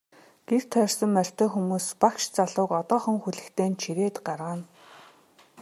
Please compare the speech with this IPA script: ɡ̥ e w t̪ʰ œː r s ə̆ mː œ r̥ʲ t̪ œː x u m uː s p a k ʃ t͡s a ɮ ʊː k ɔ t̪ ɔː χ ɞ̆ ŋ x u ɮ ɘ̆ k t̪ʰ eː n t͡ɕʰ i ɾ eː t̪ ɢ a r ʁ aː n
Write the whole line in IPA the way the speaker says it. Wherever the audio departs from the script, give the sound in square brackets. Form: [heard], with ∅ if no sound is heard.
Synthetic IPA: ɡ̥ e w t̪ʰ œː r s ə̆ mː œ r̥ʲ t̪ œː x u m uː s p a k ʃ t͡s a ɮ ʊː k ɔ t̪ ɔː χ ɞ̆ ŋ x u ɮ ɘ̆ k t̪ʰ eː n t͡ɕʰ i ɾ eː t̪ ɢ a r ʁ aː n